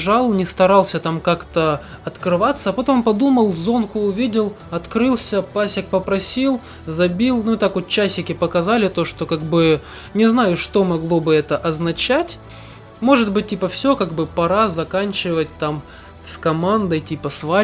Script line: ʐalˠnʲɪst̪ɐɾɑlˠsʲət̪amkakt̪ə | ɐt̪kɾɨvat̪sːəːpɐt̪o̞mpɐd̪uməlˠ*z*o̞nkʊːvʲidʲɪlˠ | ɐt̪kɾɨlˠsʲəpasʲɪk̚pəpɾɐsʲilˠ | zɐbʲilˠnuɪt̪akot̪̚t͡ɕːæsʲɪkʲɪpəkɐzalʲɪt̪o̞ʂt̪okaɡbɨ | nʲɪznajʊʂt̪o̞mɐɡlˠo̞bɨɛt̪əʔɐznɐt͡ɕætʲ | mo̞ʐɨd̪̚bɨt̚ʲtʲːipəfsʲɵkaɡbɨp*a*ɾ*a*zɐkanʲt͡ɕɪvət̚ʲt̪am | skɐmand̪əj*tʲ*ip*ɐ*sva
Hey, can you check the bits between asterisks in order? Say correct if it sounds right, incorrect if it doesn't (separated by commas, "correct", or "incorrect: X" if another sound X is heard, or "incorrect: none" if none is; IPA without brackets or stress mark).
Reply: correct, incorrect: ɐ, correct, correct, incorrect: ə